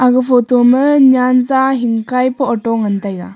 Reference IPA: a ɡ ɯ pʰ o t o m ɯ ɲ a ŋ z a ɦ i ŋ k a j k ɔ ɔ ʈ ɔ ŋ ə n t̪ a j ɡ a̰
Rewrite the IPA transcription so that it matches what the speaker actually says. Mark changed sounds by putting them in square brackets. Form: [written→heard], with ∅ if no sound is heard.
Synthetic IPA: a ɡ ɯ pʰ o t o m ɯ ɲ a [ŋ→n] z a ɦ i ŋ k a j [k→p] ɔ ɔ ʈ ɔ ŋ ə n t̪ a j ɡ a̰